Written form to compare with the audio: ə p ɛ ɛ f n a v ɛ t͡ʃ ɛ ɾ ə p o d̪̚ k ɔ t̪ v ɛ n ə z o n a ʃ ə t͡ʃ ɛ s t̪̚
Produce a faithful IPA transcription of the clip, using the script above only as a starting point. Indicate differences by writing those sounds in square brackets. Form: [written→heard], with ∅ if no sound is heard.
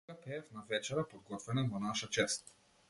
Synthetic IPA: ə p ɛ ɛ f n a v ɛ t͡ʃ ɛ ɾ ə p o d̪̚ [k→ɡ] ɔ t̪ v ɛ n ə [z→v] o n a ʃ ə t͡ʃ ɛ s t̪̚

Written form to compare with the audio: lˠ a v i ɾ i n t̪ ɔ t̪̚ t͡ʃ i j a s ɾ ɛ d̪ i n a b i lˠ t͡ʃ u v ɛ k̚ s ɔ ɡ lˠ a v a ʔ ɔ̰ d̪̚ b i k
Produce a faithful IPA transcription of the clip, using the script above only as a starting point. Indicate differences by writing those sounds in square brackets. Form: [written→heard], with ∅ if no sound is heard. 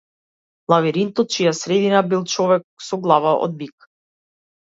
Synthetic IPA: lˠ a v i ɾ i n t̪ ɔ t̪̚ t͡ʃ i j a s ɾ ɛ d̪ i n a b i lˠ t͡ʃ [u→ɔ] v ɛ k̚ s ɔ ɡ lˠ a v a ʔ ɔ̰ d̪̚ b i k

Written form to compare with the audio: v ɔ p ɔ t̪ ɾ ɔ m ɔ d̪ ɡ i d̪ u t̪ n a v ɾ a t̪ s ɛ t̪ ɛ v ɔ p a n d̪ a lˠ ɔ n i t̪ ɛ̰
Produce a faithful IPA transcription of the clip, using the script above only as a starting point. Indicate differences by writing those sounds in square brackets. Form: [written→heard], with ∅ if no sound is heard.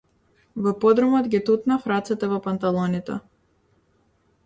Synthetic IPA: v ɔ p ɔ [t̪→d̪] ɾ ɔ m ɔ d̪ ɡ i [d̪→t̪] u t̪ n a [v→f] ɾ a t̪ s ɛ t̪ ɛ v ɔ p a n [d̪→t̪] a lˠ ɔ n i t̪ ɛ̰

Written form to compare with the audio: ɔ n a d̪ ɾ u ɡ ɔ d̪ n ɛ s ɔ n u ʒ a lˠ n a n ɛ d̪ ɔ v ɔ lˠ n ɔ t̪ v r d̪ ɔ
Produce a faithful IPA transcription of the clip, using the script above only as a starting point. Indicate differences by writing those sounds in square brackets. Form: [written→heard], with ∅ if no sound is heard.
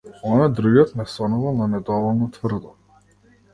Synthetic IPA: ɔ n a d̪ ɾ u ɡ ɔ [d̪→t̪] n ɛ s ɔ n u [ʒ→v] a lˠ n a n ɛ d̪ ɔ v ɔ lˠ n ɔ t̪ v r d̪ ɔ

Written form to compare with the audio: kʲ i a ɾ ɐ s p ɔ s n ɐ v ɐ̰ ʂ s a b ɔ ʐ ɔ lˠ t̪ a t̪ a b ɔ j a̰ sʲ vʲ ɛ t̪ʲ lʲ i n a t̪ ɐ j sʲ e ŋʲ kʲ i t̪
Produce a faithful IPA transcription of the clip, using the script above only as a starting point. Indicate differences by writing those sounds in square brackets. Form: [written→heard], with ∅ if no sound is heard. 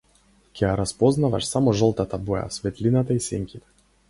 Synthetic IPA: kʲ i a ɾ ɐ s p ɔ [s→z] n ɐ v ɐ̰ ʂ s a [b→m] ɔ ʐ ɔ lˠ t̪ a t̪ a b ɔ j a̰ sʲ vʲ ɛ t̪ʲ lʲ i n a t̪ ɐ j sʲ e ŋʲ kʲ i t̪

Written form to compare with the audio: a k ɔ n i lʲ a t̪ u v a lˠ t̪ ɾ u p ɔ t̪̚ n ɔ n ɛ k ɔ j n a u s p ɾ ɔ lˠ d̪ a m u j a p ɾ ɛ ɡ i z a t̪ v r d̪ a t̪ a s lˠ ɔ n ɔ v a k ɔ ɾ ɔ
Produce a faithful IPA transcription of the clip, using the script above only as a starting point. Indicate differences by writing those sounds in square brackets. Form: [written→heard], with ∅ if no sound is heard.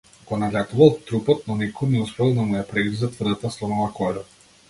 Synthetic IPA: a k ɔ n [i→a] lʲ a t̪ u v a lˠ t̪ ɾ u p ɔ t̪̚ n ɔ n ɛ k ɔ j n [a→ɛ] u s p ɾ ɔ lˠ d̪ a m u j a p ɾ ɛ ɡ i z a t̪ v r d̪ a t̪ a s lˠ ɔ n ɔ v a k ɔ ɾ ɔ

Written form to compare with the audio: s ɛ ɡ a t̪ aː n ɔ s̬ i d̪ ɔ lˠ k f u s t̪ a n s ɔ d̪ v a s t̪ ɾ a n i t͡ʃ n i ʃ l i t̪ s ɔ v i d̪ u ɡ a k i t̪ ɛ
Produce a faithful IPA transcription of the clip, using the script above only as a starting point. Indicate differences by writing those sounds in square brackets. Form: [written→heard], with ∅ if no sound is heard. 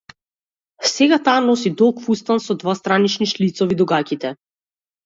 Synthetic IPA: s ɛ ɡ a t̪ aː n ɔ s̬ i d̪ ɔ lˠ k f u s t̪ a n s ɔ d̪ v a s t̪ ɾ a n i t͡ʃ n i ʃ l i t̪ s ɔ v i d̪ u ɡ a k i t̪ ɛ

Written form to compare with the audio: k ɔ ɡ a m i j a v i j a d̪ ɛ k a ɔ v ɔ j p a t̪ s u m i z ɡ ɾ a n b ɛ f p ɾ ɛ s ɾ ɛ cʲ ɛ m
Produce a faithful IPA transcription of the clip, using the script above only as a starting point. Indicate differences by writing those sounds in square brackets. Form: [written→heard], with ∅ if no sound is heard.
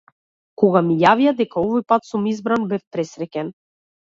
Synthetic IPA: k ɔ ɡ a m i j a v i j a d̪ ɛ k a ɔ v ɔ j p a t̪ s u m i z [ɡ→b] ɾ a n b ɛ f p ɾ ɛ s ɾ ɛ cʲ ɛ [m→n]

